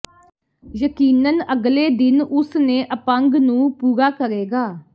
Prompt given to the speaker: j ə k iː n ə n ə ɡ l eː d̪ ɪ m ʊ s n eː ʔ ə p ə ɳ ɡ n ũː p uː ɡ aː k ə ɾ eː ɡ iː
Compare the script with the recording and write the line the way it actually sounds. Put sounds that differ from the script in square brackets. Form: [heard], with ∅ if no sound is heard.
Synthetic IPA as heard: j ə k iː n ə n ə ɡ l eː d̪ ɪ [n] ʊ s n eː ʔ ə p ə [ŋ] ɡ n ũː p uː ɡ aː k ə ɾ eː ɡ [aː]